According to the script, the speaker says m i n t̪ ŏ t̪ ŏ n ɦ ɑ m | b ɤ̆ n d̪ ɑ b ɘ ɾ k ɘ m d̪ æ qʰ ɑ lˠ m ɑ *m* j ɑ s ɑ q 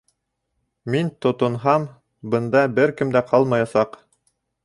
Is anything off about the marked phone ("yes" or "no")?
yes